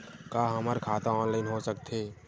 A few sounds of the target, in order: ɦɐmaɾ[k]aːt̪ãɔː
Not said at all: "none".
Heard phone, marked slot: kʰ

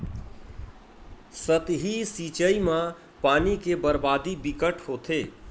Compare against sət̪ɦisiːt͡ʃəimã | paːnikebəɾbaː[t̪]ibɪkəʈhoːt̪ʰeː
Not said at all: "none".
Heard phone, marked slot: d̪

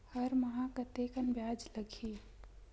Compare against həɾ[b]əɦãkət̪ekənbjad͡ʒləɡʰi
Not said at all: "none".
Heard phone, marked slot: m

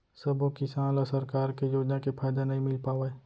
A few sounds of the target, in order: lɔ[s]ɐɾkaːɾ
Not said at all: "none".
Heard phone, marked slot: s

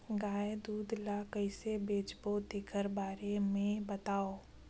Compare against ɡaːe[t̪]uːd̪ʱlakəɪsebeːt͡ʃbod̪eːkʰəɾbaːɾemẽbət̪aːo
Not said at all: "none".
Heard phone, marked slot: d̪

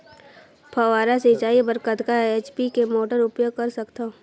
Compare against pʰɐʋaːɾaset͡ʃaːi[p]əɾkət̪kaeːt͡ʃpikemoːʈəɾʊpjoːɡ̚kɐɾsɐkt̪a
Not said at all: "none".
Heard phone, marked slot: b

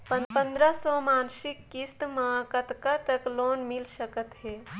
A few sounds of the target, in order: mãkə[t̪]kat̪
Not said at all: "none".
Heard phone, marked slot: t̪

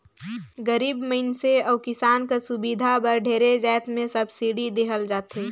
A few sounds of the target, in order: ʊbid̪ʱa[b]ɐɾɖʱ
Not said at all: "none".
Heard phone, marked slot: b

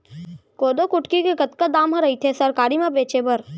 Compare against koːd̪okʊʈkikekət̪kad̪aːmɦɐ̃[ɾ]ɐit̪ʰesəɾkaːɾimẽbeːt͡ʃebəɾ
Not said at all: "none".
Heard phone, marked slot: ɾ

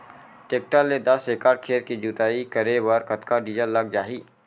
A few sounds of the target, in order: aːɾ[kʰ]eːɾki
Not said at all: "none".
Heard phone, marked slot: kʰ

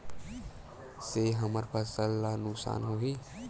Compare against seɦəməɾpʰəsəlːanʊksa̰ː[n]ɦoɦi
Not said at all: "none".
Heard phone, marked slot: n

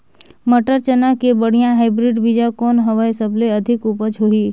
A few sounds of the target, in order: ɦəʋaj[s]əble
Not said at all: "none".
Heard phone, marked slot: s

